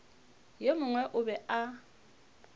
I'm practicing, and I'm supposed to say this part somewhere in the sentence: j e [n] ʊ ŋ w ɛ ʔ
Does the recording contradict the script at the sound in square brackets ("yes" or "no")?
yes